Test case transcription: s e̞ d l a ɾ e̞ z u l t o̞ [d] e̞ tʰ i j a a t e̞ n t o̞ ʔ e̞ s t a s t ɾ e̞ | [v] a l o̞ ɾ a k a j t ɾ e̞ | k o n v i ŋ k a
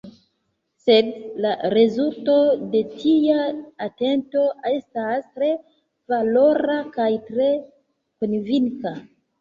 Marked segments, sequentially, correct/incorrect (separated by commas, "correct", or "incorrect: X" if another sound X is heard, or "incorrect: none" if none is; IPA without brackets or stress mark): correct, correct